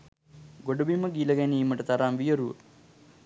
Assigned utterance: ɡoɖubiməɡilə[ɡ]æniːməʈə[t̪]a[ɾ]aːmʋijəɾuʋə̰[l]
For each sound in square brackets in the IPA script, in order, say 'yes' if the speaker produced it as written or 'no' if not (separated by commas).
yes, yes, yes, no